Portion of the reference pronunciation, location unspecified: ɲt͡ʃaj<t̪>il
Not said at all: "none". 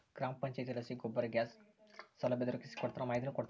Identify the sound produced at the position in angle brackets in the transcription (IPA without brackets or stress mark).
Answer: t̪